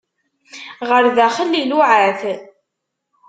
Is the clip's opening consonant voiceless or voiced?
voiced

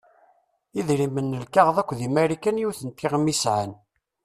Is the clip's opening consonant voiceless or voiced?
voiced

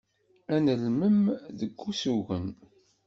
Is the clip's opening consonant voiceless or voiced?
voiced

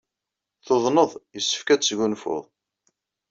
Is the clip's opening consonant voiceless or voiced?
voiceless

